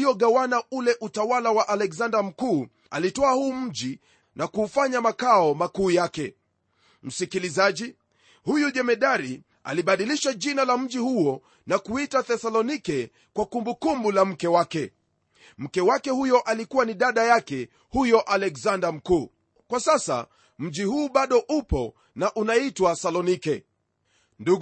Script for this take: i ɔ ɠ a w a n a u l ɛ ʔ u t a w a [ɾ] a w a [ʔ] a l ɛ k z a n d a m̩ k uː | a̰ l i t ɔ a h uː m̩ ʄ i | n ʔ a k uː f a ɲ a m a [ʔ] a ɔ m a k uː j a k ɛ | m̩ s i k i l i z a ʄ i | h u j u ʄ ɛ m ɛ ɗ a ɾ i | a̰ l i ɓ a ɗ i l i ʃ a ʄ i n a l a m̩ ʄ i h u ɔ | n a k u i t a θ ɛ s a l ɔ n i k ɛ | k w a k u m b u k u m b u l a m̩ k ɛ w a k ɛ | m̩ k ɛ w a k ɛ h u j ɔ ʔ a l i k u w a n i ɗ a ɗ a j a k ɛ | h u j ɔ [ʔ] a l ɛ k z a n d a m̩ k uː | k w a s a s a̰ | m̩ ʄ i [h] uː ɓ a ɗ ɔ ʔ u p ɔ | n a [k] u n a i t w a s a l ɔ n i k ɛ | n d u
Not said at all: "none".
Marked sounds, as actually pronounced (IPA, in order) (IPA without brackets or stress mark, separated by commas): l, ʔ, k, ʔ, h, ʔ